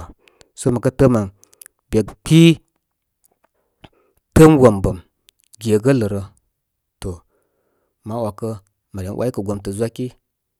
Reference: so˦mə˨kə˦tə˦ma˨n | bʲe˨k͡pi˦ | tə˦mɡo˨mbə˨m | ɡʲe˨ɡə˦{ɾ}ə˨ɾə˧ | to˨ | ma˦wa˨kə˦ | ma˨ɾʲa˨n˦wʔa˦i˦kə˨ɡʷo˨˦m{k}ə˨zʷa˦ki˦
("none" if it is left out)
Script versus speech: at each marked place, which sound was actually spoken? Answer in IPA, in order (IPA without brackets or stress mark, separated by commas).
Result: l, t